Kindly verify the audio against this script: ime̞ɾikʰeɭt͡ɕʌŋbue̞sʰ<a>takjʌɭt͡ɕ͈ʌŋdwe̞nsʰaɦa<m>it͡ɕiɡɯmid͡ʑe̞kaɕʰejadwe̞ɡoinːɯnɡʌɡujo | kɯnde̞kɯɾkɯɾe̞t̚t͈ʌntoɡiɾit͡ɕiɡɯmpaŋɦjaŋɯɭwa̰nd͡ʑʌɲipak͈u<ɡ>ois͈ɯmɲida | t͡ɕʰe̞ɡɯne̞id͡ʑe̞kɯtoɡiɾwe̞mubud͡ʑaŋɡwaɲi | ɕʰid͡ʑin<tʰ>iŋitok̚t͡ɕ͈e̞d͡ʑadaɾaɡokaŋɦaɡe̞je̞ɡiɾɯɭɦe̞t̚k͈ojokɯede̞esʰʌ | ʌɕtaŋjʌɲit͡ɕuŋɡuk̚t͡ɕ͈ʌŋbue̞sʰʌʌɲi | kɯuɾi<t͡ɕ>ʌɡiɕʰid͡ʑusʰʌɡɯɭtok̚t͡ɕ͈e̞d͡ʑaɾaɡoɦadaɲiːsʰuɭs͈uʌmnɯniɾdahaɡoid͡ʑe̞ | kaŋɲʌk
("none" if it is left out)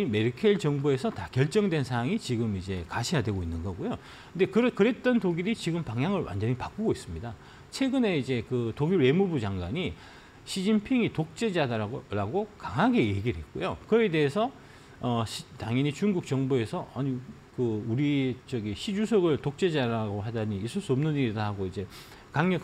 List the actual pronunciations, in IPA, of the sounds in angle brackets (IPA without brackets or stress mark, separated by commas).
ʌ, ŋ, ɡ, pʰ, t͡ɕ